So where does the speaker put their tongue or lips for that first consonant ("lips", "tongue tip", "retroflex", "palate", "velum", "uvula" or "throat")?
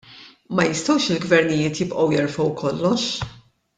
lips